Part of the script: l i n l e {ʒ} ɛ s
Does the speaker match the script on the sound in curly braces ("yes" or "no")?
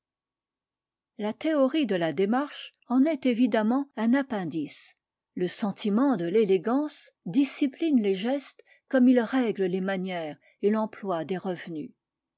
yes